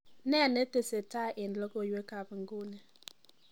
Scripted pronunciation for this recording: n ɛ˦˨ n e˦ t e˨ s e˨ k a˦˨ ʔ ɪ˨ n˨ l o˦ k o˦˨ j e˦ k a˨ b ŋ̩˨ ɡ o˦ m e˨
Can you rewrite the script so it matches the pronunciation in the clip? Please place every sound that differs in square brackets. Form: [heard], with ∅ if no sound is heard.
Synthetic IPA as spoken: n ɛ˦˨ n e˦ t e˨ s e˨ [t] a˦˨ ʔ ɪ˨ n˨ l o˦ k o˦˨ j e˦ k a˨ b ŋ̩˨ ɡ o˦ [n] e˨